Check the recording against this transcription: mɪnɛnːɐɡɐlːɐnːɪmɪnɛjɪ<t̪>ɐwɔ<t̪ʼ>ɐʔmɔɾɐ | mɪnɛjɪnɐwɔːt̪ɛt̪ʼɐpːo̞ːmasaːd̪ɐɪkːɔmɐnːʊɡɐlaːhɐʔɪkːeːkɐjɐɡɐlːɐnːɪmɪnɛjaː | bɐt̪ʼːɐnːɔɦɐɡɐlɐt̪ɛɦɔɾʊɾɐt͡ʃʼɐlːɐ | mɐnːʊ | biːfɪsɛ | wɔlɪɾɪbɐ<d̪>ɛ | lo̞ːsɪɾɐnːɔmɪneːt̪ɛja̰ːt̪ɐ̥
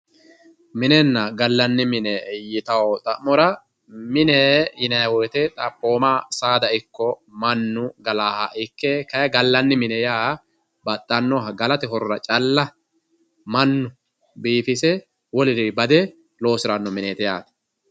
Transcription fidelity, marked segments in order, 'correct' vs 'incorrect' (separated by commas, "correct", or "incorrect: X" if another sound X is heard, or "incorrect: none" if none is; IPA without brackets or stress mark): correct, correct, correct